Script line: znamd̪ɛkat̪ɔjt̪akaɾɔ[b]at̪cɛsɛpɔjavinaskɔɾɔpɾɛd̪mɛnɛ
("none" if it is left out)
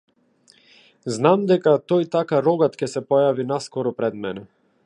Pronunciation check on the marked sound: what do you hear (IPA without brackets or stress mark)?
ɡ